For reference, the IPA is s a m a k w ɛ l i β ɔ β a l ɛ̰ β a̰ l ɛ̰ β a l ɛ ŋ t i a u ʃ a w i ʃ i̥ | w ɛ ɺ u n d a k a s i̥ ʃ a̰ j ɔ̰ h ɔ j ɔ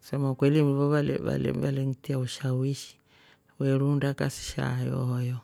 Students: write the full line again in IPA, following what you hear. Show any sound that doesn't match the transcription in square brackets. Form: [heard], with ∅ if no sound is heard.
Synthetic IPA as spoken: s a m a k w ɛ l i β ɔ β a l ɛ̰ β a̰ l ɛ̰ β a l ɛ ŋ t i a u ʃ a w i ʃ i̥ | w ɛ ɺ u n d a k a s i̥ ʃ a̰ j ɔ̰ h ɔ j ɔ